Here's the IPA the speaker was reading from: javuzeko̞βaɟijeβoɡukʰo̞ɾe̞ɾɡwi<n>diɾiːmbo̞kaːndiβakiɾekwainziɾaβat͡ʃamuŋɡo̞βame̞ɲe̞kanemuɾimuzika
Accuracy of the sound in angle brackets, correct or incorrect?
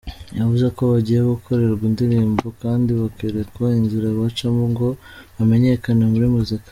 correct